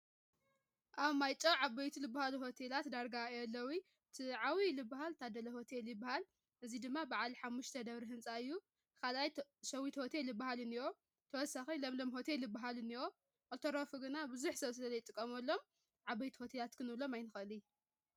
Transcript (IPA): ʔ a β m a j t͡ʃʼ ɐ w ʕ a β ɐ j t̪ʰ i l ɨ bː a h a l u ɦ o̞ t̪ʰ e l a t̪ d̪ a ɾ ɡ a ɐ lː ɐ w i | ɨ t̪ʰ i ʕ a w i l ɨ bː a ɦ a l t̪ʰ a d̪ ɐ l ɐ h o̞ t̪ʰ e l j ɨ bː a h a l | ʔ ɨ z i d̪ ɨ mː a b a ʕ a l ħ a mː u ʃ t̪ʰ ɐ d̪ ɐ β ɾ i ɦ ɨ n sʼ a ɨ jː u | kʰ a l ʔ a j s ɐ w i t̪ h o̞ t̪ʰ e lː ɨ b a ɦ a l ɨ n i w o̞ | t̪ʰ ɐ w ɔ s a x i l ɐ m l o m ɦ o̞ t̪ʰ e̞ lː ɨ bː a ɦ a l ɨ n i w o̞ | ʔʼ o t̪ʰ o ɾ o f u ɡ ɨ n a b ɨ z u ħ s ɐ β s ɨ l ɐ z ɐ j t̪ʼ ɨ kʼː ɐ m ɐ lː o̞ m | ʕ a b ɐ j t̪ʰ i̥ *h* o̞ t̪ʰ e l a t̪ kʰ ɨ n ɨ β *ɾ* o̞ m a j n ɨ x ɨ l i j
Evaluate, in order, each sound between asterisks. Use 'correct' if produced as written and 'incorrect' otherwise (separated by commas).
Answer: correct, incorrect